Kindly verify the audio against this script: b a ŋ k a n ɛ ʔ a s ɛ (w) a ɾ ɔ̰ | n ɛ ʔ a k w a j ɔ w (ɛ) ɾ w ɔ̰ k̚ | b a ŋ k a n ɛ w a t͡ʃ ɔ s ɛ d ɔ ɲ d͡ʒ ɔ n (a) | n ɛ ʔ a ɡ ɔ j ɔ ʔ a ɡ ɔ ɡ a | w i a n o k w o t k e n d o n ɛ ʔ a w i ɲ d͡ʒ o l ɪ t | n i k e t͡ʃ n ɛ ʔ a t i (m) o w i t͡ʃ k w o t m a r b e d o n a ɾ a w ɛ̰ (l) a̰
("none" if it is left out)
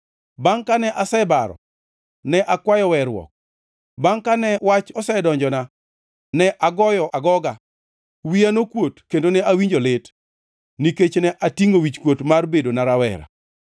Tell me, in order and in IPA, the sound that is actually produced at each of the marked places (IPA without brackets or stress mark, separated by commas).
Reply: b, ɛ, a, ŋ, ɾ